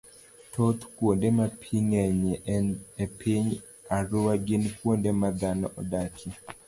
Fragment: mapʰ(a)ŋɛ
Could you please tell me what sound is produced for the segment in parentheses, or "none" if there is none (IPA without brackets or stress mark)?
i